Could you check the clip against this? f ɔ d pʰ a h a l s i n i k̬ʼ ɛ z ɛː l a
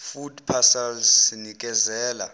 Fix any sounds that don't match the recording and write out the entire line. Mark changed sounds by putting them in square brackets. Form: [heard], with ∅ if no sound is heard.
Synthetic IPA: f [u] d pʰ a [s] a l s i n i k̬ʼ ɛ z ɛː l a